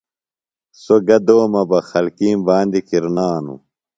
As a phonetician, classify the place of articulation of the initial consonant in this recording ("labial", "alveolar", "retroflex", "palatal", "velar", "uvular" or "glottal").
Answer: alveolar